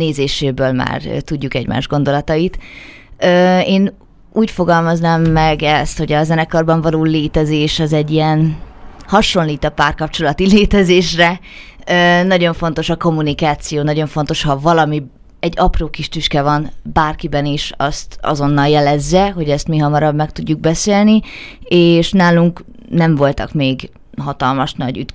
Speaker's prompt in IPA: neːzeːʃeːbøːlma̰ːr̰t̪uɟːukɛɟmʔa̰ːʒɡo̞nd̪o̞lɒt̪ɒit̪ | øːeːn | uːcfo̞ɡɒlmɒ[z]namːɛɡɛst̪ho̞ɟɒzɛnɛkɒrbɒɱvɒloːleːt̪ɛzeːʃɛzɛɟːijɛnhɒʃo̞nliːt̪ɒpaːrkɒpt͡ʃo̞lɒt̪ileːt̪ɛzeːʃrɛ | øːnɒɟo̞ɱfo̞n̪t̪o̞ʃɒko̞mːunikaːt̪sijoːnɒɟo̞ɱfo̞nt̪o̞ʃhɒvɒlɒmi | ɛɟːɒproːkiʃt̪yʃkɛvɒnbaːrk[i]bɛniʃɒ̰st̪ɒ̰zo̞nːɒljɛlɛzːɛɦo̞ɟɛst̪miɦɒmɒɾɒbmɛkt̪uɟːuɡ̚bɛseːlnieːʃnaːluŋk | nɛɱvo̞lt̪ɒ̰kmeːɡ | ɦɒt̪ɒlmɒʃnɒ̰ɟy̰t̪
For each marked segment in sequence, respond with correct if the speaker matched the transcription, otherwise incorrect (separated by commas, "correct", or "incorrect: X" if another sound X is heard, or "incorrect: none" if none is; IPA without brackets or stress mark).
correct, correct